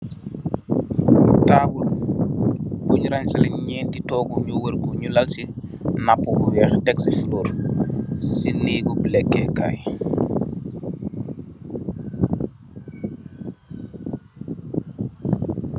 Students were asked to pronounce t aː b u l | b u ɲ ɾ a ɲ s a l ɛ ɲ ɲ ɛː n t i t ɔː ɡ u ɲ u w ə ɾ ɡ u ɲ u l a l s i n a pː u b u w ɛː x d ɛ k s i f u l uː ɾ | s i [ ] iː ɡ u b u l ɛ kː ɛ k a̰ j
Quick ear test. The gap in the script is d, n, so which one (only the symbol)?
n